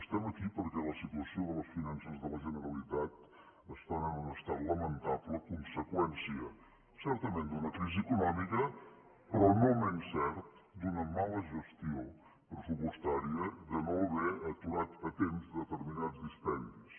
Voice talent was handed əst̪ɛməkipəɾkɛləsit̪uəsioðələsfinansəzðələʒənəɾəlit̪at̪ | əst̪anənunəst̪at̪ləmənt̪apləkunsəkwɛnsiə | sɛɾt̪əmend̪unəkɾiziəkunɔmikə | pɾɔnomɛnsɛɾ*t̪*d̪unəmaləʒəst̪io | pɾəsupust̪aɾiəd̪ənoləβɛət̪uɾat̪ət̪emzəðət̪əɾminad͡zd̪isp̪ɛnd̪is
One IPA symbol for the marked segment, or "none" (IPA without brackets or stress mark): t̪